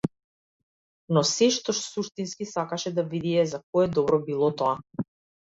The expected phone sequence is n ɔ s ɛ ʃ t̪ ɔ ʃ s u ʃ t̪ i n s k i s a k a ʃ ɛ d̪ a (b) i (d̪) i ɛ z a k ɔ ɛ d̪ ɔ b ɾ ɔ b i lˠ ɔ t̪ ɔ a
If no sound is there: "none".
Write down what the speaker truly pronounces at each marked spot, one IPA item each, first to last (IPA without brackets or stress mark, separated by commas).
v, d̪